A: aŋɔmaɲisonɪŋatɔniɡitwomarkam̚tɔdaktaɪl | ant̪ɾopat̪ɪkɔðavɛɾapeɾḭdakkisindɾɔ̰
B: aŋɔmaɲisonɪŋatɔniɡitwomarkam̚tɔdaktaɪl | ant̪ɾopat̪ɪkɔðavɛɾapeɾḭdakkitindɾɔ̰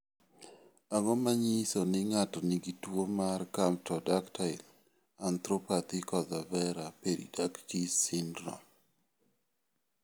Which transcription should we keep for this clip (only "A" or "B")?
A